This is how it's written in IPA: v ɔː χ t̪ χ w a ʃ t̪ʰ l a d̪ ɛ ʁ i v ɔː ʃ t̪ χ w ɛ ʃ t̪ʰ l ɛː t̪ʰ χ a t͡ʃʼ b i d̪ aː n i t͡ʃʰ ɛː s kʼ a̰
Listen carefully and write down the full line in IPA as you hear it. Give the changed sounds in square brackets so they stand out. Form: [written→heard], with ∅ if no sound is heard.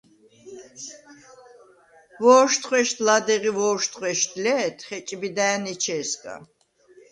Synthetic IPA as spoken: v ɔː [χ→ʃ] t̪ χ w [a→ɛ] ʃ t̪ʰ l a d̪ ɛ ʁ i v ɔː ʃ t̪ χ w ɛ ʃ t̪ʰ l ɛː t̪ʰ χ [a→ɛ] t͡ʃʼ b i d̪ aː n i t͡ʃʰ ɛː s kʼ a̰